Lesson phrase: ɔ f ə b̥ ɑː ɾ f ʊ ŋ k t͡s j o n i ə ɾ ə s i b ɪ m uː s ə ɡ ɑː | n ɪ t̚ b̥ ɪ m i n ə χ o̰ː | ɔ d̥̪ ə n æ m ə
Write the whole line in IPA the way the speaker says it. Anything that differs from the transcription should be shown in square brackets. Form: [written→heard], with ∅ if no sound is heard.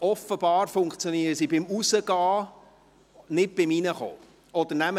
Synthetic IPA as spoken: ɔ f ə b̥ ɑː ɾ f ʊ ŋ k t͡s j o n i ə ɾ ə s i b ɪ m [uː→u] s ə ɡ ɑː | n ɪ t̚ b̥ ɪ m i n ə χ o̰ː | ɔ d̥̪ ə n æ m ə

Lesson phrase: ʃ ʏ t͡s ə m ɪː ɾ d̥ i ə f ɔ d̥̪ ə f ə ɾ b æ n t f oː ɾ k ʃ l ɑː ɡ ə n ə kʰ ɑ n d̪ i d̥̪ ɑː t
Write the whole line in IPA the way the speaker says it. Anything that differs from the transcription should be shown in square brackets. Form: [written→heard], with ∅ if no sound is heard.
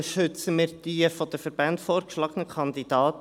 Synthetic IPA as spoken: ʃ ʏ t͡s ə m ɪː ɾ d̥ i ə f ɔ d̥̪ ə f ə ɾ b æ n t f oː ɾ k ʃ l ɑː ɡ ə n ə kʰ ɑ n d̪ i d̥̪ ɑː t

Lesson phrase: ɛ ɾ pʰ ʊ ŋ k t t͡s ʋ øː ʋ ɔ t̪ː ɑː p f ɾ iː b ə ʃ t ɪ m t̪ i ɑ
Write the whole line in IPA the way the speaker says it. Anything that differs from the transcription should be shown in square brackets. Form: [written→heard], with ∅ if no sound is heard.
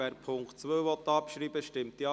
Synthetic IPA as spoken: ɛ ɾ pʰ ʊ ŋ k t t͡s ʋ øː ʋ ɔ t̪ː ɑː p [f→ʃ] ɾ iː b ə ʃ t ɪ m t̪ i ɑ

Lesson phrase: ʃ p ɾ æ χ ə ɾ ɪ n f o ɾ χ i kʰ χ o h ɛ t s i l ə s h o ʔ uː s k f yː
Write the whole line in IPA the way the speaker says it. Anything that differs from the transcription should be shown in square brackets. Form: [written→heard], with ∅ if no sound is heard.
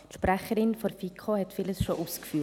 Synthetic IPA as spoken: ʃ p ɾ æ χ ə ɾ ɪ n f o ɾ [χ→f] i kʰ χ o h ɛ t [s→f] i l ə s [h→ʃ] o ʔ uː s k f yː

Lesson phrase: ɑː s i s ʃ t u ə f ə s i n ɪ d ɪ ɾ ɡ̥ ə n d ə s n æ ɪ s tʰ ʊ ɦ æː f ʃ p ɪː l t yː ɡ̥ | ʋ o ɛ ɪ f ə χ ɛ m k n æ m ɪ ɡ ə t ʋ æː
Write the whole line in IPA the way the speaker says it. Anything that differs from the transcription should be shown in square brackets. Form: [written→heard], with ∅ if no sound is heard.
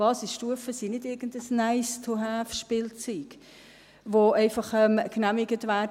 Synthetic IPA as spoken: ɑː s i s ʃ t u ə f ə s i n ɪ d ɪ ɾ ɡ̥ ə n d ə s n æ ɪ s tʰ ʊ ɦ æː f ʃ p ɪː l [t→t͡s] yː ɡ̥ | ʋ o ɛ ɪ f [ə→ɑ] χ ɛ m k n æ m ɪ ɡ ə t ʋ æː

